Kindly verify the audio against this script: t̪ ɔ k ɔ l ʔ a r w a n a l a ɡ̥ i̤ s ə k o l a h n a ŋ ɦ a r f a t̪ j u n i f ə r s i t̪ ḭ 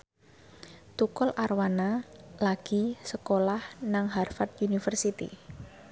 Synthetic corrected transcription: t̪ u k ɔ l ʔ a r w a n a l a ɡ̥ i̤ s ə k o l a h n a ŋ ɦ a r f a t̪ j u n i f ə r s i t̪ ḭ